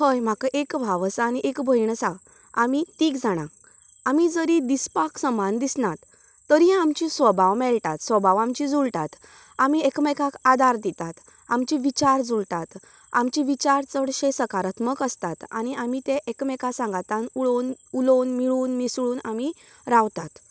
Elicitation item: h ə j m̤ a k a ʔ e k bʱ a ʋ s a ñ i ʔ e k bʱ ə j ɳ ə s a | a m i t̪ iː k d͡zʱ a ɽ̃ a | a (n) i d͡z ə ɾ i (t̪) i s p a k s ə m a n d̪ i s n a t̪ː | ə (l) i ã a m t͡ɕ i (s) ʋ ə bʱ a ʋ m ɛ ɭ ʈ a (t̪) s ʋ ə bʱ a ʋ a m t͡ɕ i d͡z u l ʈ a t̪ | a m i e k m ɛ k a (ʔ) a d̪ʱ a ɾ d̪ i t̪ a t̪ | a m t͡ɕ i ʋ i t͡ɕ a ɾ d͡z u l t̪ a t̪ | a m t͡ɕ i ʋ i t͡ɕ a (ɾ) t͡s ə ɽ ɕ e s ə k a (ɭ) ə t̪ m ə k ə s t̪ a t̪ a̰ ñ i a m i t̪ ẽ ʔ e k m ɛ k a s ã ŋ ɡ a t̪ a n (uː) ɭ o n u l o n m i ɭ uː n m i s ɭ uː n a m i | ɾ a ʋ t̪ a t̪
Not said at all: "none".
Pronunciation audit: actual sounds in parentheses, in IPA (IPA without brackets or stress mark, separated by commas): m, d̪, ɾ, s, t̪, k, ɾ, ɾ, u